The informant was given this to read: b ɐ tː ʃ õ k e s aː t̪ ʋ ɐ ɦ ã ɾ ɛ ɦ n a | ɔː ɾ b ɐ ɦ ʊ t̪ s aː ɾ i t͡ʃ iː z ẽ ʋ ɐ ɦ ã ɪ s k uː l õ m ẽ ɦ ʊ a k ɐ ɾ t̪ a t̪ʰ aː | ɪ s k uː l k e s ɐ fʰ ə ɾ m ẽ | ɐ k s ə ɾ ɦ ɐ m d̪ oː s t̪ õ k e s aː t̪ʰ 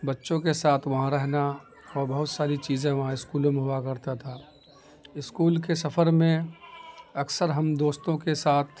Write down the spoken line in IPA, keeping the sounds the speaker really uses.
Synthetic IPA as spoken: b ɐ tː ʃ õ k e s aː t̪ʰ ʋ ɐ ɦ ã ɾ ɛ ɦ n a | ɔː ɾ b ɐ ɦ ʊ t̪ s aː ɾ i t͡ʃ iː z ẽ ʋ ɐ ɦ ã ɪ s k uː l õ m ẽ ɦ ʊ a k ɐ ɾ t̪ a t̪ʰ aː | ɪ s k uː l k e s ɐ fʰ ə ɾ m ẽ | ɐ k s ə ɾ ɦ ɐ m d̪ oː s t̪ õ k e s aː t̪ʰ

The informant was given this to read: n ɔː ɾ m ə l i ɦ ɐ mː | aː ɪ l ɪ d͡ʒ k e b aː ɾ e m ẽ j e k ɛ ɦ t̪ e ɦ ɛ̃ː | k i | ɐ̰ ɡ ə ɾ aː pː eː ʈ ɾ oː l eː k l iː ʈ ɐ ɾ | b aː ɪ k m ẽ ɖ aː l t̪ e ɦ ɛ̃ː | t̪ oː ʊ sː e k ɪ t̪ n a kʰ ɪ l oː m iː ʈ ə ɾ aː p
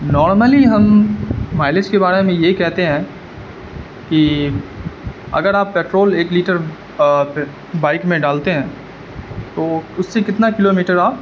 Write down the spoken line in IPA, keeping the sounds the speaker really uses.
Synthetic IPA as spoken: n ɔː ɾ m ə l i ɦ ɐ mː | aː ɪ l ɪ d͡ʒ k e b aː ɾ e m ẽ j e k ɛ ɦ t̪ e ɦ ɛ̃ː | k i | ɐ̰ ɡ ə ɾ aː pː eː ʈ ɾ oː l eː k l iː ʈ ə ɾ | b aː ɪ k m ẽ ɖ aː l t̪ e ɦ ɛ̃ː | t̪ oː ʊ sː e k ɪ t̪ n a k ɪ l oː m iː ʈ ə ɾ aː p

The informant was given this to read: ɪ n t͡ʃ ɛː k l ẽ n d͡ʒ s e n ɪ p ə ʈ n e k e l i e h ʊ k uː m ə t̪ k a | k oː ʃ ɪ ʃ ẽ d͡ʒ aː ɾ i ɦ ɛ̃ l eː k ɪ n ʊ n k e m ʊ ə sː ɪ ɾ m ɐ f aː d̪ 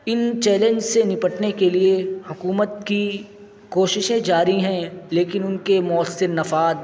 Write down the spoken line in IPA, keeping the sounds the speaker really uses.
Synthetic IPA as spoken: ɪ n t͡ʃ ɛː l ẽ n d͡ʒ s e n ɪ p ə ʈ n e k e l i e h ʊ k uː m ə t̪ k i | k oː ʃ ɪ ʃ ẽ d͡ʒ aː ɾ i ɦ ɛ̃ l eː k ɪ n ʊ n k e m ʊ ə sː ɪ ɾ n ɐ f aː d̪

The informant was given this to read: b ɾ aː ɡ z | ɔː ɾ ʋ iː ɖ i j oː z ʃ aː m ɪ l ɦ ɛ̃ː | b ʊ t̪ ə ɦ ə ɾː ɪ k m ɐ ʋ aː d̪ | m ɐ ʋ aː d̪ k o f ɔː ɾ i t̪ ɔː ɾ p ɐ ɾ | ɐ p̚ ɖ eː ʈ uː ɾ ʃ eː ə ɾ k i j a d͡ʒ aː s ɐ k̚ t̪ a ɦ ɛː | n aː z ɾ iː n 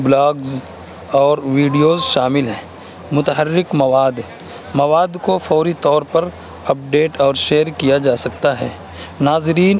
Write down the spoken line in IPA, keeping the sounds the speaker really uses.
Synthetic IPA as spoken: b l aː ɡ z | ɔː ɾ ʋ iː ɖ i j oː z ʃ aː m ɪ l ɦ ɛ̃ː | m ʊ t̪ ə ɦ ə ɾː ɪ k m ɐ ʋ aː d̪ | m ɐ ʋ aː d̪ k o f ɔː ɾ i t̪ ɔː ɾ p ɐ ɾ | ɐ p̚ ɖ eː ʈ ɔː ɾ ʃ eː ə ɾ k i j a d͡ʒ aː s ɐ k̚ t̪ a ɦ ɛː | n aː z ɾ iː n

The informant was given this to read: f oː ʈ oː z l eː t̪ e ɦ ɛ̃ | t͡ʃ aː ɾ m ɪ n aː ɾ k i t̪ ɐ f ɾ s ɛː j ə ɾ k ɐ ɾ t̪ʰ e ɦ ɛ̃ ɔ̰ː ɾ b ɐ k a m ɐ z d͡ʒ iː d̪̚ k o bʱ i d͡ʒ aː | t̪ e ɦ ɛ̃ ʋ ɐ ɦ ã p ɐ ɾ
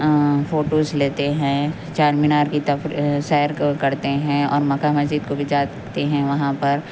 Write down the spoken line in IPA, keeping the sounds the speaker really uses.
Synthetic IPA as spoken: f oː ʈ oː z l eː t̪ e ɦ ɛ̃ | t͡ʃ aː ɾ m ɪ n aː ɾ k i t̪ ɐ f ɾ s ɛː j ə ɾ k ɐ ɾ t̪ e ɦ ɛ̃ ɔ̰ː ɾ m ɐ k a m ɐ z d͡ʒ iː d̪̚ k o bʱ i d͡ʒ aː | t̪ e ɦ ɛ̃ ʋ ɐ ɦ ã p ɐ ɾ

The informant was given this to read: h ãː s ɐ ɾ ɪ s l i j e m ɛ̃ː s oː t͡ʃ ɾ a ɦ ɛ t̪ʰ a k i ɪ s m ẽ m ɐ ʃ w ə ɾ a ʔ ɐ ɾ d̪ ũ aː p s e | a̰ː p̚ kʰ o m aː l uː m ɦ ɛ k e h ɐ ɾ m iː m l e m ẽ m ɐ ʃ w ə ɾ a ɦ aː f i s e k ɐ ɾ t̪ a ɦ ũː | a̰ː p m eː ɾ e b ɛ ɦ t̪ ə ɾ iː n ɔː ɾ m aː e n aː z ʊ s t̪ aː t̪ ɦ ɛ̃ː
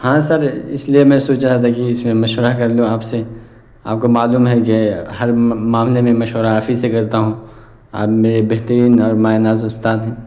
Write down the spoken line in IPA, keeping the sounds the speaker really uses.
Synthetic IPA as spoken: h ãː s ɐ ɾ ɪ s l i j e m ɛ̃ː s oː t͡ʃ ɾ a ɦ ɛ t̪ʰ a k i ɪ s m ẽ m ɐ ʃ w ə ɾ a k ɐ ɾ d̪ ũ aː p s e | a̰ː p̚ k o m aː l uː m ɦ ɛ k e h ɐ ɾ m aː m l e m ẽ m ɐ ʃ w ə ɾ a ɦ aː f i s e k ɐ ɾ t̪ a ɦ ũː | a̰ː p m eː ɾ e b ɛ ɦ t̪ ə ɾ iː n ɔː ɾ m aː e n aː z ʊ s t̪ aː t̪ ɦ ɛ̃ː

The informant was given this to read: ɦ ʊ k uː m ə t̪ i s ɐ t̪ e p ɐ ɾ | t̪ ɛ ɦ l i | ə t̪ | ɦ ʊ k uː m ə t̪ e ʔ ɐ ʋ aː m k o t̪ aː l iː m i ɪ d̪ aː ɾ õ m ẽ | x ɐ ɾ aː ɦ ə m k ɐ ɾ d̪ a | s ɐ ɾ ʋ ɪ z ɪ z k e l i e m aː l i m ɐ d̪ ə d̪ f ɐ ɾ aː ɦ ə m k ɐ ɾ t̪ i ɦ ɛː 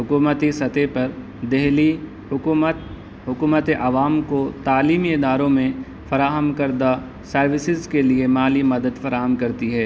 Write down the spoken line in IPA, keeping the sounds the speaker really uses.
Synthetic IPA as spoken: ɦ ʊ k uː m ə t̪ i s ɐ t̪ e p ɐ ɾ | d̪ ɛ ɦ l i | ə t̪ | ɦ ʊ k uː m ə t̪ e ʔ ɐ ʋ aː m k o t̪ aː l iː m i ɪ d̪ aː ɾ õ m ẽ | f ɐ ɾ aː ɦ ə m k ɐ ɾ d̪ a | s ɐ ɾ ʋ ɪ s ɪ z k e l i e m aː l i m ɐ d̪ ə d̪ f ɐ ɾ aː ɦ ə m k ɐ ɾ t̪ i ɦ ɛː

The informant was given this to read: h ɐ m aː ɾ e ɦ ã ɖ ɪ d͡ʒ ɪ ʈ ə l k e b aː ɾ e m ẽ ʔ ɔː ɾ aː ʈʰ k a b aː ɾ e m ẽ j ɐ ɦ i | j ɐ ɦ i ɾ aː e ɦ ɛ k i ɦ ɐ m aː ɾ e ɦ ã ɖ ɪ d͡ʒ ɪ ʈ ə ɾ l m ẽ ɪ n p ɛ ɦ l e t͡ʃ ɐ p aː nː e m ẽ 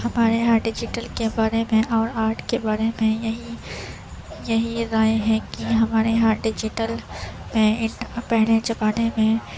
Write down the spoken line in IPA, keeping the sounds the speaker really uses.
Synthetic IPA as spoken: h ɐ m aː ɾ e ɦ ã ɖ ɪ d͡ʒ ɪ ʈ ə l k e b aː ɾ e m ẽ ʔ ɔː ɾ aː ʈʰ k e b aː ɾ e m ẽ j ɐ ɦ i | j ɐ ɦ i ɾ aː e ɦ ɛ k i ɦ ɐ m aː ɾ e ɦ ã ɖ ɪ d͡ʒ ɪ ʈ ə l m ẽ ɪ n p ɛ ɦ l e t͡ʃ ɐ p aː n e m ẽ

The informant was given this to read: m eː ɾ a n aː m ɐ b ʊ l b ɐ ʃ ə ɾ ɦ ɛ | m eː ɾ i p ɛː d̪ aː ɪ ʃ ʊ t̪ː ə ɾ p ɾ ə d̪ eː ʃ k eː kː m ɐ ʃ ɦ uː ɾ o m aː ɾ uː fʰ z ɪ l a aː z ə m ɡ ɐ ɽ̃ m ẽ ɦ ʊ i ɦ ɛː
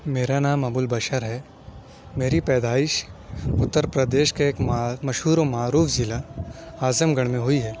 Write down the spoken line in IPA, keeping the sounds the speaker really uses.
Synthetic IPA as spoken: m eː ɾ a n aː m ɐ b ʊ l b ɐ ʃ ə ɾ ɦ ɛ | m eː ɾ i p ɛː d̪ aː ɪ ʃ ʊ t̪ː ə ɾ p ɾ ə d̪ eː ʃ k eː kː m ɐ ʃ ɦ uː ɾ o m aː ɾ uː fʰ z ɪ l a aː z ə m ɡ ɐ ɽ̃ m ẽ ɦ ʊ i ɦ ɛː

